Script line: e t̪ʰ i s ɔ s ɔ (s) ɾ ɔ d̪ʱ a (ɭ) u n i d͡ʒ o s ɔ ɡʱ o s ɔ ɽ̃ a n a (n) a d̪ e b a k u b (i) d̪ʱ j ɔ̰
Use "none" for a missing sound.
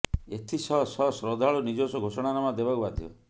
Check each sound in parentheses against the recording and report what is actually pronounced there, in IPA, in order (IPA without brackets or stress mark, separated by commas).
s, ɭ, m, a